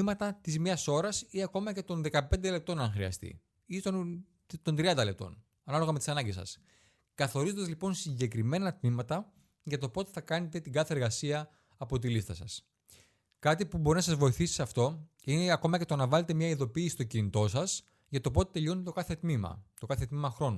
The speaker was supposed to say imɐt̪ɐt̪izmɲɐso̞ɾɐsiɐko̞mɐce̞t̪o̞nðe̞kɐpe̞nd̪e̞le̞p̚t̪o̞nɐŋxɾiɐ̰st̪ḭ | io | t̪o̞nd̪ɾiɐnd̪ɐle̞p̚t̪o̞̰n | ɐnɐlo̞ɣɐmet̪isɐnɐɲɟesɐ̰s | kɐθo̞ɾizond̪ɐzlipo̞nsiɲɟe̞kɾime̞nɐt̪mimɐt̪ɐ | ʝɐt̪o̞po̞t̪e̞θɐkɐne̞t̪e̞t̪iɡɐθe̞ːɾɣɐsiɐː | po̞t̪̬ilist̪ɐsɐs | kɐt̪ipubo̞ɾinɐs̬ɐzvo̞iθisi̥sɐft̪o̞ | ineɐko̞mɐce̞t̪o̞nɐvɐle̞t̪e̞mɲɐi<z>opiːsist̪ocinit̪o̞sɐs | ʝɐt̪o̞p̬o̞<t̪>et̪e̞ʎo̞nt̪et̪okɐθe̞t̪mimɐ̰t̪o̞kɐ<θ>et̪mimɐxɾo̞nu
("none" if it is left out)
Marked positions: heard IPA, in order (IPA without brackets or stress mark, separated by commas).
ð, t̪, θ